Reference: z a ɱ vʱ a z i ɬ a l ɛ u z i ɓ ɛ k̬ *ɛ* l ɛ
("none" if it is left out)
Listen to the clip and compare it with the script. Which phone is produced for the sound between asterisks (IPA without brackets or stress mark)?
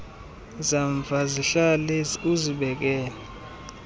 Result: ɛː